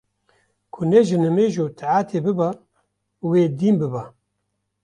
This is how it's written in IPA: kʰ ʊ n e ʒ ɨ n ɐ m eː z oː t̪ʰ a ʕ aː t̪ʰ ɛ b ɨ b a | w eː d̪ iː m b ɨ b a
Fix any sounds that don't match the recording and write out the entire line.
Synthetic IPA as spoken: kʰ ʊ n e ʒ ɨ n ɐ m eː ʒ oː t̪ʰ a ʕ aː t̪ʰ e b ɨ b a | w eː d̪ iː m b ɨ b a